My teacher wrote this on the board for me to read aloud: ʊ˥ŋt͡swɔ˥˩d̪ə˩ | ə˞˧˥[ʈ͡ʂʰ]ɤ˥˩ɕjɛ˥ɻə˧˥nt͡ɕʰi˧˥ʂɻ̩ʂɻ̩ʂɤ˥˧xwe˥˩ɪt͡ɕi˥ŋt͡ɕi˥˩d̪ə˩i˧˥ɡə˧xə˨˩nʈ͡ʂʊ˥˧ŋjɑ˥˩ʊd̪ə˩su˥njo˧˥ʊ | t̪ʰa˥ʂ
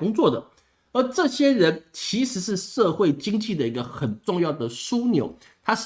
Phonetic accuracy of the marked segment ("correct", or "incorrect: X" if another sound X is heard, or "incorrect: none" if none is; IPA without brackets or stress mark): incorrect: ʈ͡ʂ